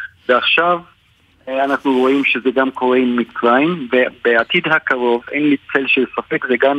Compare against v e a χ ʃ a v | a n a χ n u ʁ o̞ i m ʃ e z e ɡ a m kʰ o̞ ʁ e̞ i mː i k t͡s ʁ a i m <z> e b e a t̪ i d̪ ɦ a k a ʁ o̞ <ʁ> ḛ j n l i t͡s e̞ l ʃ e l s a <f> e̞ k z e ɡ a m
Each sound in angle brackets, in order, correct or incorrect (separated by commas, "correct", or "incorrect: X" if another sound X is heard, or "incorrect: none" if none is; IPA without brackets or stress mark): incorrect: v, incorrect: v, correct